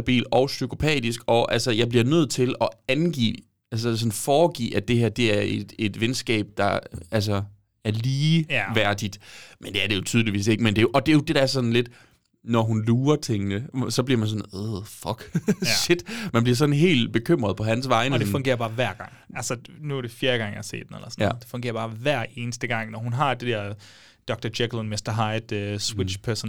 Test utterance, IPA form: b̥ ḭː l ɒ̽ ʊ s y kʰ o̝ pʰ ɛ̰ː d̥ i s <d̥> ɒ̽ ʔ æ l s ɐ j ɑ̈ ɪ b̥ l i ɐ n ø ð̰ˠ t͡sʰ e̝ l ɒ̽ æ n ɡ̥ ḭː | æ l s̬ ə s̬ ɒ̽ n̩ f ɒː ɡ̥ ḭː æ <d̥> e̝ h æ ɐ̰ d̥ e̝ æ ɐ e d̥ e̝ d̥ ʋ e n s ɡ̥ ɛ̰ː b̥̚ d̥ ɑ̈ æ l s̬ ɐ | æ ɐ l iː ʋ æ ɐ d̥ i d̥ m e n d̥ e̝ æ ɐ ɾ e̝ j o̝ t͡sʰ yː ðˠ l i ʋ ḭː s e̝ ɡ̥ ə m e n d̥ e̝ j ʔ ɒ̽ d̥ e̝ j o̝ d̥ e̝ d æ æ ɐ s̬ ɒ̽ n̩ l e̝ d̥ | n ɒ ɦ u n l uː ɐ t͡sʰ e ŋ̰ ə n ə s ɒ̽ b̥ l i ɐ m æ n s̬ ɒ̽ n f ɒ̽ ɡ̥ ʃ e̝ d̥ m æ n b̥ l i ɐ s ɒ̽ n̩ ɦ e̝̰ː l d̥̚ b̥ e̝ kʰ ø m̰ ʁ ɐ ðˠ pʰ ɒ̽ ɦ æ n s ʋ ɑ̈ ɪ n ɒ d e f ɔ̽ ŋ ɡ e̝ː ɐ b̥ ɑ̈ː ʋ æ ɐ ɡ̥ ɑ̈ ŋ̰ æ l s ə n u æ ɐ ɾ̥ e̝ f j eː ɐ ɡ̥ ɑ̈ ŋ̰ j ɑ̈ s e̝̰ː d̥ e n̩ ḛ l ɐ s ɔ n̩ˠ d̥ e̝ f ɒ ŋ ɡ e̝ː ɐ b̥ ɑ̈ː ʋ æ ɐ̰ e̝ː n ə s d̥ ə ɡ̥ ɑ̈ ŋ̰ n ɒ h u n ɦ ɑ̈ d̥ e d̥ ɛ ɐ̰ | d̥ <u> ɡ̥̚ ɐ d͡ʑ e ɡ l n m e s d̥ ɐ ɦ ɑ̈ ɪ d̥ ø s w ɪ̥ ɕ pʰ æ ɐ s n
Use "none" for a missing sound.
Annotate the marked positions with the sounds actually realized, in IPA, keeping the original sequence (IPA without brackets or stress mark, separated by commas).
ɡ̥, d̥, ɒ